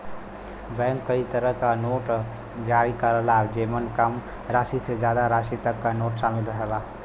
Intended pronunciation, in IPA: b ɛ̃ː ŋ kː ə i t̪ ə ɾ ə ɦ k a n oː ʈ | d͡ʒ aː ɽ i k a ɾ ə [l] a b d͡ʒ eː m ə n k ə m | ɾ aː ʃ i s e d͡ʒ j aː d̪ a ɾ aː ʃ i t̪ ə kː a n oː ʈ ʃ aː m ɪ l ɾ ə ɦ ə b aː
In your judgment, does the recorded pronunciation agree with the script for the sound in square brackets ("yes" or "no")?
yes